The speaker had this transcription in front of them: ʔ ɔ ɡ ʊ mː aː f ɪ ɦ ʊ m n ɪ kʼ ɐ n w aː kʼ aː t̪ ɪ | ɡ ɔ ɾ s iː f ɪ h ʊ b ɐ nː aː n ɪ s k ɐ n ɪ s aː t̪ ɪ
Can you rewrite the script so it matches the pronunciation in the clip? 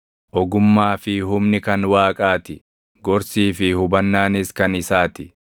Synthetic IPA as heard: ʔ ɔ ɡ ʊ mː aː f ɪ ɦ ʊ m n ɪ k ɐ n w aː kʼ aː t̪ ɪ | ɡ ɔ ɾ s iː f ɪ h ʊ b ɐ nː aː n ɪ s k ɐ n ɪ s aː t̪ ɪ